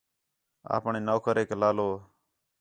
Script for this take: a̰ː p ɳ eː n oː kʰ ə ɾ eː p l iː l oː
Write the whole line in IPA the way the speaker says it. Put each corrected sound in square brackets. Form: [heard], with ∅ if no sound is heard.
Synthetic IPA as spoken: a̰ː p ɳ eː n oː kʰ ə ɾ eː [k] l [aː] l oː